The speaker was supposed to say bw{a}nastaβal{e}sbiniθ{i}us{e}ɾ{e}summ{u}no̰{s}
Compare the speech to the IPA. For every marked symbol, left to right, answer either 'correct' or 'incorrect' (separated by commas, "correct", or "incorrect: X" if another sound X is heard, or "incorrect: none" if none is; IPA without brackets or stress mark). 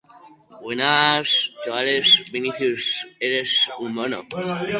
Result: incorrect: e, correct, incorrect: j, correct, correct, incorrect: o, incorrect: none